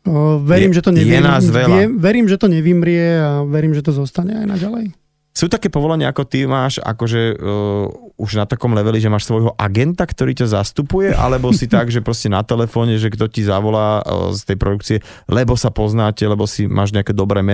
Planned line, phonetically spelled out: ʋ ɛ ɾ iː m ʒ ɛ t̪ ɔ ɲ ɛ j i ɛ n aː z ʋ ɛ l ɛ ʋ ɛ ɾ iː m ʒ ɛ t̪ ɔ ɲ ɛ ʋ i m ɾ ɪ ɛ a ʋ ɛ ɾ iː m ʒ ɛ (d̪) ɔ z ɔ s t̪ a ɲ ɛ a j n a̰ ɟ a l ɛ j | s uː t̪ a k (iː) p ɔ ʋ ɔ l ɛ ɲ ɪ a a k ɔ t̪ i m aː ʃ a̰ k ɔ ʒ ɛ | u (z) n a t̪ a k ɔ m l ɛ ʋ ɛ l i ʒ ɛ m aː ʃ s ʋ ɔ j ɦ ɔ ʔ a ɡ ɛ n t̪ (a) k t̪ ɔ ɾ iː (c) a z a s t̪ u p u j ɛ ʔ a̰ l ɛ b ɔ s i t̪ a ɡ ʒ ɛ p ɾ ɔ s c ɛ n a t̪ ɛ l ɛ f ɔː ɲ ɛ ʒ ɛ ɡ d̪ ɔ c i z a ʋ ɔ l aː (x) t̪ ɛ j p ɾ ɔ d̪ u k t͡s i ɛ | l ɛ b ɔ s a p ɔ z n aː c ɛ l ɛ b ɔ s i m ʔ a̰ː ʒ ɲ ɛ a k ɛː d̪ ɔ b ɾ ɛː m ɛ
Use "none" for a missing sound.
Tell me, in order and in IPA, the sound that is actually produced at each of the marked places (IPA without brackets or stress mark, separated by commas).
t̪, ɛː, ʒ, a, c, s